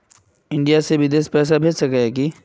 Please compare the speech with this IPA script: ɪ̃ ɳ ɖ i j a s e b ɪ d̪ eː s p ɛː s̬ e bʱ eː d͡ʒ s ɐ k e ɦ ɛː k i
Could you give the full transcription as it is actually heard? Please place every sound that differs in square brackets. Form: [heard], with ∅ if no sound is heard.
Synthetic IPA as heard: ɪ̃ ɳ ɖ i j a s e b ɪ d̪ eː s p ɛː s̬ [a] bʱ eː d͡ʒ s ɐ k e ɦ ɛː k i